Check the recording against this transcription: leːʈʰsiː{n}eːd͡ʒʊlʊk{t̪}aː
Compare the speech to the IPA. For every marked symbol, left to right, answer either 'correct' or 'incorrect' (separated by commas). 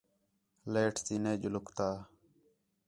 correct, correct